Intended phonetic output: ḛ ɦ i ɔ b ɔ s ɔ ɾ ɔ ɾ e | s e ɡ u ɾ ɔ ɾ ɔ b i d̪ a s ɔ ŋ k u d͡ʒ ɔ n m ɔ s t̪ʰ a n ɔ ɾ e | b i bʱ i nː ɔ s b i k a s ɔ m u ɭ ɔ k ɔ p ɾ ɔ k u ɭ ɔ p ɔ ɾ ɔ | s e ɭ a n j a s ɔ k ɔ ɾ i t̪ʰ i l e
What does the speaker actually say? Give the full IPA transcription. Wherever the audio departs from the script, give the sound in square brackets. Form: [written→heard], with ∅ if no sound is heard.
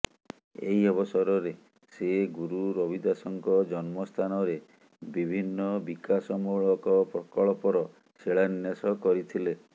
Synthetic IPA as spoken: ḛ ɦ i ɔ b ɔ s ɔ ɾ ɔ ɾ e | s e ɡ u ɾ [ɔ→u] ɾ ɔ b i d̪ a s ɔ ŋ k [u→ɔ] d͡ʒ ɔ n m ɔ s t̪ʰ a n ɔ ɾ e | b i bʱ i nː ɔ [s→∅] b i k a s ɔ m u ɭ ɔ k ɔ p ɾ ɔ k [u→ɔ] ɭ ɔ p ɔ ɾ ɔ | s e ɭ a n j a s ɔ k ɔ ɾ i t̪ʰ i l e

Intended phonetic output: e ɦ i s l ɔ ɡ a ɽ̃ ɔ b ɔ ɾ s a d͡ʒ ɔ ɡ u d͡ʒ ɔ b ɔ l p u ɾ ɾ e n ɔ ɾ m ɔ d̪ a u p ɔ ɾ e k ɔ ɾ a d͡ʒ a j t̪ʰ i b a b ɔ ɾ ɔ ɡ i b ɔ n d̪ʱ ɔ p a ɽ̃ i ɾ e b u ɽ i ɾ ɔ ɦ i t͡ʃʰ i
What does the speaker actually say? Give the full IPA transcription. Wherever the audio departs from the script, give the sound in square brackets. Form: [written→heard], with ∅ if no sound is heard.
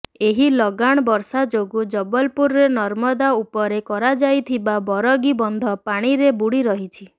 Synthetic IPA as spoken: e ɦ i [s→∅] l ɔ ɡ a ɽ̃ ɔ b ɔ ɾ s a d͡ʒ [ɔ→o] ɡ u d͡ʒ ɔ b ɔ l p u ɾ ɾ e n ɔ ɾ m ɔ d̪ a u p ɔ ɾ e k ɔ ɾ a d͡ʒ a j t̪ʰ i b a b ɔ ɾ ɔ ɡ i b ɔ n d̪ʱ ɔ p a ɽ̃ i ɾ e b u ɽ i ɾ ɔ ɦ i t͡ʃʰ i

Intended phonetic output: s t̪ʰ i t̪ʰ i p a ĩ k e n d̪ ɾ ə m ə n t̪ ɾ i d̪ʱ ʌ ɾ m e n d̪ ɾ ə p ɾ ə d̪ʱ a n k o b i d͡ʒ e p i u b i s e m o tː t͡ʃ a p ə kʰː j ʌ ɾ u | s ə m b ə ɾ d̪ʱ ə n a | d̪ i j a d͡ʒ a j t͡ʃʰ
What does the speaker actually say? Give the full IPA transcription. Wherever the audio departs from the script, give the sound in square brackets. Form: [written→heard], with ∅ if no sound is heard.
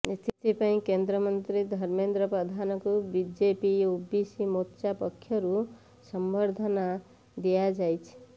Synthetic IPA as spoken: s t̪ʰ i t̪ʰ i p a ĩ k e n d̪ ɾ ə m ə n t̪ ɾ i d̪ʱ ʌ ɾ m e n d̪ ɾ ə p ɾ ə d̪ʱ a n k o b i d͡ʒ e p i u b i s [e→i] m o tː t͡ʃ a p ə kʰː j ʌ ɾ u | s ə m b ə ɾ d̪ʱ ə n a | d̪ i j a d͡ʒ a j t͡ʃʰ

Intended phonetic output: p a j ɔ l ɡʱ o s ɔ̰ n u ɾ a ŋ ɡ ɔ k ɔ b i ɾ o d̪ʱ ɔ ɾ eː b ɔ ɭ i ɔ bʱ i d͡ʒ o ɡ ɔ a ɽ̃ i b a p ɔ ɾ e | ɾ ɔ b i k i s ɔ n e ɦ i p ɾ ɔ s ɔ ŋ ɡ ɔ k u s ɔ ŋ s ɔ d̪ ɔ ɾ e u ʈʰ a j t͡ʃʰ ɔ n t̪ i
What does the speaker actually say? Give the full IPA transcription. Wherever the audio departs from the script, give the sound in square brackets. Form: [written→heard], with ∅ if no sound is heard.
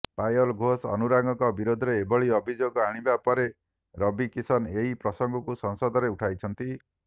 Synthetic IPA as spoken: p a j ɔ l ɡʱ o s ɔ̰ n u ɾ a ŋ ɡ ɔ k ɔ b i ɾ o d̪ʱ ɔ ɾ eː b ɔ ɭ i ɔ bʱ i d͡ʒ o ɡ ɔ a ɽ̃ i b a p ɔ ɾ e | ɾ ɔ b i k i s ɔ n e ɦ i p ɾ ɔ s ɔ ŋ ɡ ɔ k u s ɔ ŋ s ɔ d̪ ɔ ɾ e u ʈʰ a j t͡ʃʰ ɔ n t̪ i

